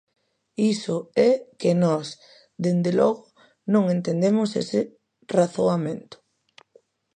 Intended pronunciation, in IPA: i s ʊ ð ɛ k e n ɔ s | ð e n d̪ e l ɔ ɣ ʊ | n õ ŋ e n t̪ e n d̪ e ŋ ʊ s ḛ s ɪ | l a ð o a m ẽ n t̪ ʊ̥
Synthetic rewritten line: i s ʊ ɛ k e n ɔ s | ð e n d̪ e l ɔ ɣ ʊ | n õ ŋ e n t̪ e n d̪ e m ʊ s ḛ s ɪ | r a θ o a m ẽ n t̪ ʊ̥